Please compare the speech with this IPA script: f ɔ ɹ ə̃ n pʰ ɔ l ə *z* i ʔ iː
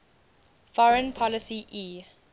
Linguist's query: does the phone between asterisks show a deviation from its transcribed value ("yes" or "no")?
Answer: yes